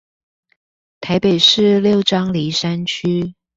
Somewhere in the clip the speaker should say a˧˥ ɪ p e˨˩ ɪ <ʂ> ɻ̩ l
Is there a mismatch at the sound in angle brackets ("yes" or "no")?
no